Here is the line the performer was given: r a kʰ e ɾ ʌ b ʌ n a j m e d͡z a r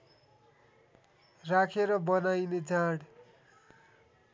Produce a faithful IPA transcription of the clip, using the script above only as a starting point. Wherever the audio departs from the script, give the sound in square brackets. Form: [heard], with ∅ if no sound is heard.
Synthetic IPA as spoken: r a kʰ e ɾ ʌ b ʌ n a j [n] e d͡z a [ɽ]